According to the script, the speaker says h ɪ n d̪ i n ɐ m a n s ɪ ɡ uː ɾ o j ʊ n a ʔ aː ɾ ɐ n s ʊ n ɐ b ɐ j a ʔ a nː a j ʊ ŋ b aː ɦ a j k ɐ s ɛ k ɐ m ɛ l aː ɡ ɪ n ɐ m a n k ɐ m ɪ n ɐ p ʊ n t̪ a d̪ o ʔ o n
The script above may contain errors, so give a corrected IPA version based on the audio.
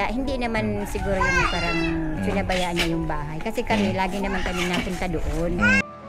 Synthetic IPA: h ɪ n d̪ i n ɐ m a n s ɪ ɡ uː ɾ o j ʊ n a p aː ɾ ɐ ŋ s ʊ n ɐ b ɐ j a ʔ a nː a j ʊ ŋ b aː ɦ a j k ɐ s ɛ k ɐ m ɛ l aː ɡ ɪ n ɐ m a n k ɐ m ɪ n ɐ p ʊ n t̪ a d̪ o ʔ o n